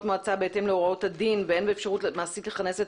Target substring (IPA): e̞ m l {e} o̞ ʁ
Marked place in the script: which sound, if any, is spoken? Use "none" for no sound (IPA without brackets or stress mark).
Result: e